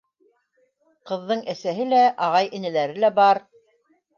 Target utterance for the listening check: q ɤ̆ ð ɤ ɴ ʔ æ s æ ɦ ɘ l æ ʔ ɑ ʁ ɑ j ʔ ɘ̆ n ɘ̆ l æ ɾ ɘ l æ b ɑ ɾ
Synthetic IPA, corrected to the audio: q ɤ̆ ðː ɤ ɴ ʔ æ s æ ɦ ɘ l æ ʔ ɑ ʁ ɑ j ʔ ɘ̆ n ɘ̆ l æ ɾ ɘ l æ b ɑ ɾ